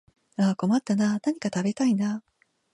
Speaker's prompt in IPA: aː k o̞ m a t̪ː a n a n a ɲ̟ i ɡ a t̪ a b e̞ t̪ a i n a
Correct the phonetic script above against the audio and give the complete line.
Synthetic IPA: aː k o̞ m a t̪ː a n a n a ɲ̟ i k a t̪ a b e̞ t̪ a i n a